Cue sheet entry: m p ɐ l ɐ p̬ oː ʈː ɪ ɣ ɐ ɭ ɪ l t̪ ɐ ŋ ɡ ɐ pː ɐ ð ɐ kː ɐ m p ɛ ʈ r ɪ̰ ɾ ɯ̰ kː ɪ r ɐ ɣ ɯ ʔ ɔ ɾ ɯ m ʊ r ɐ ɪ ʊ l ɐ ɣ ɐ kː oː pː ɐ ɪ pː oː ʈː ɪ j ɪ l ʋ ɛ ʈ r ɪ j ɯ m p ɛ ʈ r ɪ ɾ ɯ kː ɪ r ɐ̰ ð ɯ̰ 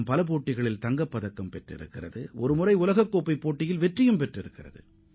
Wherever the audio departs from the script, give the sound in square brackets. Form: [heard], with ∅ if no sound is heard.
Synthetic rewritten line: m p ɐ l ɐ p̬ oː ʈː ɪ ɣ ɐ ɭ ɪ l t̪ ɐ ŋ ɡ ɐ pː ɐ ð ɐ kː ɐ m p ɛ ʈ r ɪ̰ ɾ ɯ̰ kː ɪ r ɐ [ð] ɯ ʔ ɔ ɾ ɯ m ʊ r ɐ ɪ ʊ l ɐ ɣ ɐ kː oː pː ɐ ɪ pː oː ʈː ɪ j ɪ l ʋ ɛ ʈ r ɪ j ɯ m p ɛ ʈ r ɪ ɾ ɯ kː ɪ r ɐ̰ ð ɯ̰

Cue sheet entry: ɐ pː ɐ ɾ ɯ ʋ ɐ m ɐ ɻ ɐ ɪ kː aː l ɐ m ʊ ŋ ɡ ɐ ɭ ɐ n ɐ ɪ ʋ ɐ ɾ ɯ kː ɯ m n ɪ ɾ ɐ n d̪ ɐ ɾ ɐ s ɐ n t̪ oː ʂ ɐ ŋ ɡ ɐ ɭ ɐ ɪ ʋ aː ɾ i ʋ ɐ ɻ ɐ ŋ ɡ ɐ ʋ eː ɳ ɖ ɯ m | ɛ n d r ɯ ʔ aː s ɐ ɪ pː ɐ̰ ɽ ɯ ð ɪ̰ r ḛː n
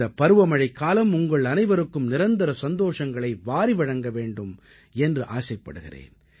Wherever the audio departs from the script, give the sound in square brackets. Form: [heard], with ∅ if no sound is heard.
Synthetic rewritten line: ɐ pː ɐ ɾ ɯ ʋ ɐ m ɐ ɻ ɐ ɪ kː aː l ɐ m ʊ ŋ ɡ ɐ ɭ ɐ n ɐ ɪ ʋ ɐ ɾ ɯ kː ɯ m n ɪ ɾ ɐ n d̪ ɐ ɾ ɐ s ɐ n [d̪] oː ʂ ɐ ŋ ɡ ɐ ɭ ɐ ɪ ʋ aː ɾ i ʋ ɐ ɻ ɐ ŋ ɡ ɐ ʋ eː ɳ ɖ ɯ m | ɛ n d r ɯ ʔ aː s ɐ ɪ pː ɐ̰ ɽ ɯ [ɣ] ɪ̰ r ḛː n

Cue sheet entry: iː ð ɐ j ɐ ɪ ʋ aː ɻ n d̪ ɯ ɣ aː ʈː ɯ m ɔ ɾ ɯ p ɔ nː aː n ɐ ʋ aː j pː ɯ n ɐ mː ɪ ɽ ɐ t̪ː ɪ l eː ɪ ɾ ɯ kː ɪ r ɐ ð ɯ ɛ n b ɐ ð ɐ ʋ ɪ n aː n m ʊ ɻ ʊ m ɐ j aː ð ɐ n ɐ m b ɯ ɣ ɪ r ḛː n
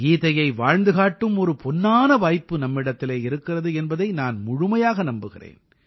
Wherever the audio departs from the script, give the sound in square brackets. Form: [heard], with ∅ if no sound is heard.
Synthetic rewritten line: iː ð ɐ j ɐ ɪ ʋ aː ɻ n d̪ ɯ ɣ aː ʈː ɯ m ɔ ɾ ɯ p ɔ nː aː n ɐ ʋ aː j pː ɯ n ɐ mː ɪ ɽ ɐ t̪ː ɪ l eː ɪ ɾ ɯ kː ɪ r ɐ ð ɯ ɛ n b ɐ ð ɐ [∅] ɪ n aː n m ʊ ɻ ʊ m ɐ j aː [ɣ] ɐ n ɐ m b ɯ ɣ ɪ r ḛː n

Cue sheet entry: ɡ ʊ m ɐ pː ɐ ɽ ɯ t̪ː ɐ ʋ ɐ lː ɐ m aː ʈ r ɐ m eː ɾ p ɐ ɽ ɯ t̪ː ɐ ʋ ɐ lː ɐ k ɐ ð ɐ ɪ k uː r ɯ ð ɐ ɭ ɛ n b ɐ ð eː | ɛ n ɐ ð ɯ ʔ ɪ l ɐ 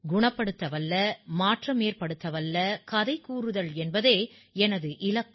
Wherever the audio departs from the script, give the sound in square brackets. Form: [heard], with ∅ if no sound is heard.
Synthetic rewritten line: ɡ ʊ [ɳ] ɐ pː ɐ ɽ ɯ t̪ː ɐ ʋ ɐ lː ɐ m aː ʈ r ɐ m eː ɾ p ɐ ɽ ɯ t̪ː ɐ ʋ ɐ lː ɐ k ɐ ð ɐ ɪ k uː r ɯ ð ɐ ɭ ɛ n b ɐ ð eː | ɛ n ɐ ð ɯ ʔ ɪ l ɐ

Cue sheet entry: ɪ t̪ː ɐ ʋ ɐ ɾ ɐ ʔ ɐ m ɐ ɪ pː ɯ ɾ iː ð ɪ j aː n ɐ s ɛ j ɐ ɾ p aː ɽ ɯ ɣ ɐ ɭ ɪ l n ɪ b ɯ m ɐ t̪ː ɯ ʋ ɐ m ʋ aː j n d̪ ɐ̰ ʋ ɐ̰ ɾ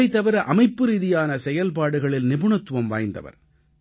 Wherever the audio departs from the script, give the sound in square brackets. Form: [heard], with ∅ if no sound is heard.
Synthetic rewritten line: ɪ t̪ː ɐ ʋ ɐ ɾ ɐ ʔ ɐ m ɐ ɪ pː ɯ ɾ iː ð ɪ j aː n ɐ s ɛ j ɐ [l] p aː ɽ ɯ ɣ ɐ ɭ ɪ l n ɪ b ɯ [ɳ] ɐ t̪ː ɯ ʋ ɐ m ʋ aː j n d̪ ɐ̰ ʋ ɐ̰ ɾ

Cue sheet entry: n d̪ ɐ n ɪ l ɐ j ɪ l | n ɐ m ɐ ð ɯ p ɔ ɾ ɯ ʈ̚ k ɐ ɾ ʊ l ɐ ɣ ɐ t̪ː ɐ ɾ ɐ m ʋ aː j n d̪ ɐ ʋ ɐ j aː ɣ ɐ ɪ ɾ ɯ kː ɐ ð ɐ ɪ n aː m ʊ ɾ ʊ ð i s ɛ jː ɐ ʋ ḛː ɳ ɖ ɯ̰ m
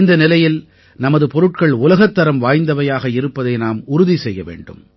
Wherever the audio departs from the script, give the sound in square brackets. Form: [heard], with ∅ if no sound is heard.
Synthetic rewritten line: n d̪ ɐ n ɪ l ɐ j ɪ l | n ɐ m ɐ ð ɯ p ɔ ɾ ɯ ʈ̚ k ɐ [ɭ] ʊ l ɐ ɣ ɐ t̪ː ɐ ɾ ɐ m ʋ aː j n d̪ ɐ ʋ ɐ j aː ɣ ɐ ɪ ɾ ɯ [pː] ɐ ð ɐ ɪ n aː m ʊ ɾ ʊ ð i s ɛ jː ɐ ʋ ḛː ɳ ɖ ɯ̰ m

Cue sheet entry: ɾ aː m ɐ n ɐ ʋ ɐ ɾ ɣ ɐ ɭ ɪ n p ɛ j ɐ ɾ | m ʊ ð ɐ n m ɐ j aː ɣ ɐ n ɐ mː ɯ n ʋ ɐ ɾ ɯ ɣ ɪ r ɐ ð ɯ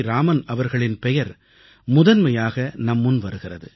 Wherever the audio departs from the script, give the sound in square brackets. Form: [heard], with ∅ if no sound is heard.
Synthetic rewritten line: ɾ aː m ɐ n ɐ ʋ ɐ ɾ ɣ ɐ ɭ ɪ n p ɛ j ɐ ɾ | m ʊ ð ɐ n m ɐ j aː ɣ ɐ n ɐ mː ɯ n ʋ ɐ ɾ ɯ ɣ ɪ r ɐ ð ɯ

